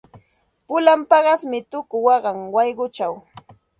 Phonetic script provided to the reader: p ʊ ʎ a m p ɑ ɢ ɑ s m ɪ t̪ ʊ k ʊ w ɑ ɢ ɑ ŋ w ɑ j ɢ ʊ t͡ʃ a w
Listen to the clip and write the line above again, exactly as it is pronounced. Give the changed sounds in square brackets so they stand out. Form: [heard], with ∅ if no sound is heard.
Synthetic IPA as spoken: p ʊ [l] a m p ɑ ɢ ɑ s m ɪ t̪ ʊ k ʊ w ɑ ɢ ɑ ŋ w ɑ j ɢ ʊ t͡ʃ a w